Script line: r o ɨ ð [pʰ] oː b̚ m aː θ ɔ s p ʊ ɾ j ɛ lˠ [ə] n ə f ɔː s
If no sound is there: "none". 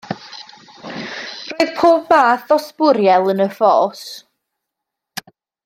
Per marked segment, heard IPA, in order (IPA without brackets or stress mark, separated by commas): pʰ, ə